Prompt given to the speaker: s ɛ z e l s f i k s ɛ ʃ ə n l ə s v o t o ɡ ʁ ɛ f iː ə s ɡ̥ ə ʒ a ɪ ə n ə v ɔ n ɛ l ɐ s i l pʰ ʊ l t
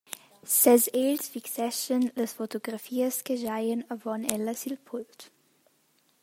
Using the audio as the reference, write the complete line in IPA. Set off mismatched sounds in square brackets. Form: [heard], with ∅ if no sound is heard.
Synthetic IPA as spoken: s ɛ z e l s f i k s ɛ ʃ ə n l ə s [f] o t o ɡ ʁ [a] f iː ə s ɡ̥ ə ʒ a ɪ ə n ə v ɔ n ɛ l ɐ s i l pʰ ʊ l t